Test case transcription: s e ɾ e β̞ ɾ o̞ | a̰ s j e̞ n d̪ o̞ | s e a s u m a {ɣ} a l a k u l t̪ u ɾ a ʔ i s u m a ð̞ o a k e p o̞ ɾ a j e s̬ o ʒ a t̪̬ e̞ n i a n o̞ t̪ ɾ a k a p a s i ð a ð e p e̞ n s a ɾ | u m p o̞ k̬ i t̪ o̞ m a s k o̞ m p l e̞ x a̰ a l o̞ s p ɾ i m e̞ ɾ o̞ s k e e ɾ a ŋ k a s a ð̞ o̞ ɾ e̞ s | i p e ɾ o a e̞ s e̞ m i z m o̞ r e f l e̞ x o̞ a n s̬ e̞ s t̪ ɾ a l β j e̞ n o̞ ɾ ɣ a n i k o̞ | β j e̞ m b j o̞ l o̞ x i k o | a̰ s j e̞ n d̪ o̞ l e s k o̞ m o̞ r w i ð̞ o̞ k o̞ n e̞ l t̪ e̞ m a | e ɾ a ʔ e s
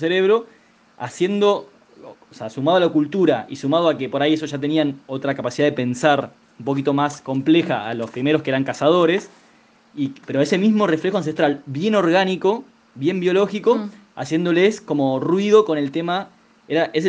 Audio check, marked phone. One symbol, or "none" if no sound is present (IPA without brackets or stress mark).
ð